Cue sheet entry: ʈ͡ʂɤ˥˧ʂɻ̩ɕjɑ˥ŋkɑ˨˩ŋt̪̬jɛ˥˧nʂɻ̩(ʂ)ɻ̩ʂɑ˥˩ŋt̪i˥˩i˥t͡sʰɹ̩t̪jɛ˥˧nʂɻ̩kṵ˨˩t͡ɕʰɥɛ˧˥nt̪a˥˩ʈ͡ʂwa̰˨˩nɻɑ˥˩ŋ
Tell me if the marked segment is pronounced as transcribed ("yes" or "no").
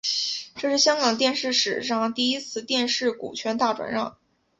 yes